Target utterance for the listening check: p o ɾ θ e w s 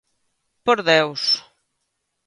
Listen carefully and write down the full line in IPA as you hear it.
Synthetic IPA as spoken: p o ɾ ð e w s